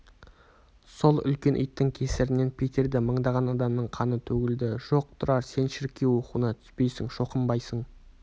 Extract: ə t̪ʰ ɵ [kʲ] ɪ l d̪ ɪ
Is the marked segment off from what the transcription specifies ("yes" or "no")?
yes